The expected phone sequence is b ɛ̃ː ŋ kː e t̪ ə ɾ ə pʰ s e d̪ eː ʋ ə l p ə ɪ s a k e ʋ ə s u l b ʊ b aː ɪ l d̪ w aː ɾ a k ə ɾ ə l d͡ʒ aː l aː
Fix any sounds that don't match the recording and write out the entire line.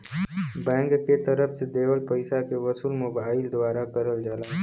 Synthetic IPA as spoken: b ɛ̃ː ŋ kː e t̪ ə ɾ ə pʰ s e d̪ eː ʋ ə l p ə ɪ s a k e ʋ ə s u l m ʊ b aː ɪ l d̪ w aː ɾ a k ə ɾ ə l d͡ʒ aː l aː